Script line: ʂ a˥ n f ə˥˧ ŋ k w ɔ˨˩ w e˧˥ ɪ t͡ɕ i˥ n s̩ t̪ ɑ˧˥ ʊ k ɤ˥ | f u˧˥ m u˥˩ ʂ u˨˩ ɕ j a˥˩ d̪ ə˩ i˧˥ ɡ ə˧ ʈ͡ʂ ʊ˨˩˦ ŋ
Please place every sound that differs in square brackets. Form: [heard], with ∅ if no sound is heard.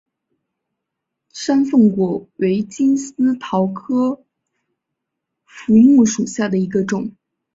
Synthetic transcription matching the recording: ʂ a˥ n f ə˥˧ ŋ k w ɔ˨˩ w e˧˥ ɪ t͡ɕ i˥ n s̩ [t̪ʰ] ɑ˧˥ ʊ [kʰ] ɤ˥ | f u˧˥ m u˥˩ ʂ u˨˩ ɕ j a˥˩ d̪ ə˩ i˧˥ ɡ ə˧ ʈ͡ʂ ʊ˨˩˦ ŋ